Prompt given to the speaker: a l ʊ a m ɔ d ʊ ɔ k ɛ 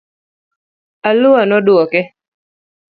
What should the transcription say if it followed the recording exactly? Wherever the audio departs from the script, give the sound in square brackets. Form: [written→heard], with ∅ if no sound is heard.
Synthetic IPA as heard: a l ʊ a [m→n] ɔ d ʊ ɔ k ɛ